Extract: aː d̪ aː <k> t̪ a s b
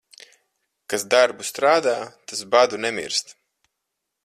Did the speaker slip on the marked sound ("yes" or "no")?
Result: yes